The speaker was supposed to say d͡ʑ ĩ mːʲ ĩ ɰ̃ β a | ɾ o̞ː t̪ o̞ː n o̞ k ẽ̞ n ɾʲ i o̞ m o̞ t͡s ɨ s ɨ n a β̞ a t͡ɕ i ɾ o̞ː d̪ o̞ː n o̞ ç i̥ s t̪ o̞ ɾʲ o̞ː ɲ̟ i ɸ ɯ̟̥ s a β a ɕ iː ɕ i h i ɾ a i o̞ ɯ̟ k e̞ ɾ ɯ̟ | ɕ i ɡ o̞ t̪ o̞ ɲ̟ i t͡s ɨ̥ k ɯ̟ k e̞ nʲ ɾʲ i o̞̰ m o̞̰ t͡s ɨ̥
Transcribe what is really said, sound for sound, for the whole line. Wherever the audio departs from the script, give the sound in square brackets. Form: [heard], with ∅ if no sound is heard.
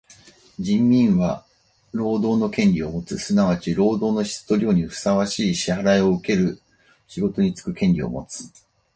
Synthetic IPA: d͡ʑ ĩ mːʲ ĩ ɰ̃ β a | ɾ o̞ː [d̪] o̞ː n o̞ k ẽ̞ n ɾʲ i o̞ m o̞ t͡s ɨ s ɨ n a β̞ a t͡ɕ i ɾ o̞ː d̪ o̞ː n o̞ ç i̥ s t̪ o̞ ɾʲ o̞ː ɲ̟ i ɸ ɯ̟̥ s a β a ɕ iː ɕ i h [a] ɾ a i o̞ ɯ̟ k e̞ ɾ ɯ̟ | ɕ i ɡ o̞ t̪ o̞ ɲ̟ i t͡s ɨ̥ k ɯ̟ k [ẽ̞] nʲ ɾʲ i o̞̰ m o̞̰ t͡s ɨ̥